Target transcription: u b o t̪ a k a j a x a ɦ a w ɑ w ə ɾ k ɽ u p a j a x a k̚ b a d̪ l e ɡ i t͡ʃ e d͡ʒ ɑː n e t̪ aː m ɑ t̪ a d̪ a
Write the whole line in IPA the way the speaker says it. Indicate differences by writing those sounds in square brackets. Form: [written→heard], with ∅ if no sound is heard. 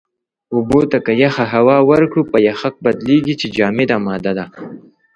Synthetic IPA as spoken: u b o t̪ a k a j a x a ɦ a w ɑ w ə ɾ k ɽ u p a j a x a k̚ b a d̪ l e ɡ i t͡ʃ e d͡ʒ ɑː [n→m] e [t̪→d̪] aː m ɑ [t̪→d̪] a d̪ a